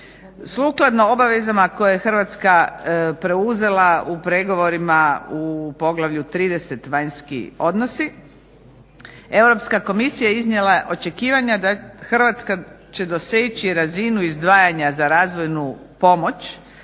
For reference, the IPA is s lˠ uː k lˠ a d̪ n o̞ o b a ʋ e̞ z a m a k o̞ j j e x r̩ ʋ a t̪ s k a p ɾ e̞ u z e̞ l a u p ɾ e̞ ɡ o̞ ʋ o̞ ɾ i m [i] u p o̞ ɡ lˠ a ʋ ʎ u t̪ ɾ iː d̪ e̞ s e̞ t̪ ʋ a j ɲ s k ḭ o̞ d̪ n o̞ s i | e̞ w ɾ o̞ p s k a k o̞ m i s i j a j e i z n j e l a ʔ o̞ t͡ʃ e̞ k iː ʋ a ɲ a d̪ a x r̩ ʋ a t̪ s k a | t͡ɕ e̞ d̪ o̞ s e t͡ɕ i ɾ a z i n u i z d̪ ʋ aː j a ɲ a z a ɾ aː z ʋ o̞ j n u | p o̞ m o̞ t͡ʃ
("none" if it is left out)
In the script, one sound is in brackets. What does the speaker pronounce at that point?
a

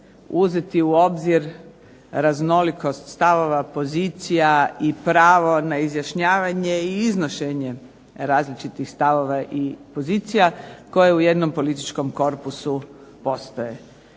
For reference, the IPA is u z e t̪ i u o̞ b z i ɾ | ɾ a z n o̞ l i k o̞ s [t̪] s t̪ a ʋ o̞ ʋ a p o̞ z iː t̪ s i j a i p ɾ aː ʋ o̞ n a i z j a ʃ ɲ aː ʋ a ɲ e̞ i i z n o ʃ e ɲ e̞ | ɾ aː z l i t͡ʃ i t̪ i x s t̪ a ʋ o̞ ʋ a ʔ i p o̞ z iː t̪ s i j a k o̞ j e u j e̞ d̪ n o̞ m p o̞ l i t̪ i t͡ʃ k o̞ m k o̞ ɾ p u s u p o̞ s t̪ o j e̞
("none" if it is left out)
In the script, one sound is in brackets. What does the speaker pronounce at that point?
t̪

